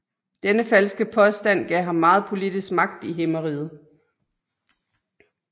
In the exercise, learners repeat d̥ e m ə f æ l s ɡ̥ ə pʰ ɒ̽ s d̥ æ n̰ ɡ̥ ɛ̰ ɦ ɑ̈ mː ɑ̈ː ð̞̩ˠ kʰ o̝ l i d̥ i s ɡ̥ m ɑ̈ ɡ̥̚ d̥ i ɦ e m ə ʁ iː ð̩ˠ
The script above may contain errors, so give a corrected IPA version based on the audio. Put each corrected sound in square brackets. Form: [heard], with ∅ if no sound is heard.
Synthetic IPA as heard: d̥ e [n] ə f æ l s ɡ̥ ə pʰ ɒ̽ s d̥ æ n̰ ɡ̥ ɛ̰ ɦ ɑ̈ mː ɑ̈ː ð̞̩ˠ [pʰ] o̝ l i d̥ i s ɡ̥ m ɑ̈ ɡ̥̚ d̥ i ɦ e m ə ʁ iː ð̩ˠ